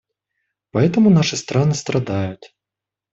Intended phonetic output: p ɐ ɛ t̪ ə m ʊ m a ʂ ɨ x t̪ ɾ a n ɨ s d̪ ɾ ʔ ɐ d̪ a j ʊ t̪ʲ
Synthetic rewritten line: p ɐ ɛ t̪ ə m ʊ n a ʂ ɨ s t̪ ɾ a n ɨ s t̪ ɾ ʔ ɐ d̪ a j ʊ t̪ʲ